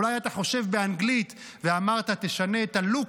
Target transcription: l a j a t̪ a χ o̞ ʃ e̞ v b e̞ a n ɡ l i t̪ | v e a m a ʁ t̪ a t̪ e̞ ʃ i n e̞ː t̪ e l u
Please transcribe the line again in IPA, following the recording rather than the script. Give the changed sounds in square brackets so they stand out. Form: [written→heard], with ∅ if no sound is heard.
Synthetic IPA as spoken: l a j a t̪ a χ o̞ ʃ e̞ v b e̞ a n ɡ l i t̪ | v e a m a ʁ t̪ a t̪ e̞ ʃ [i→a] n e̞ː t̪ [e→a] l u